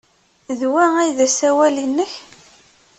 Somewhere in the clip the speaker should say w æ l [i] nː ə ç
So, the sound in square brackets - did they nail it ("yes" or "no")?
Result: yes